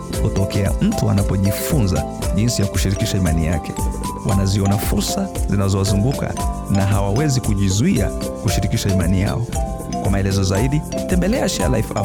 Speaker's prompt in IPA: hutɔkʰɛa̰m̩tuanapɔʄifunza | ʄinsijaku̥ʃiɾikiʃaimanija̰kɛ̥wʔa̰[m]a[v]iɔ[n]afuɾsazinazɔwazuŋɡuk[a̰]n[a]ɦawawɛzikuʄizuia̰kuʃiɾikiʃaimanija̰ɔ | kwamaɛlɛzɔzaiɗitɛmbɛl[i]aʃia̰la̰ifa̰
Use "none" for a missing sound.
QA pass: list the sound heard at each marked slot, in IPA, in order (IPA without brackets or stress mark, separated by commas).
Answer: n, z, n, a̰, a, ɛ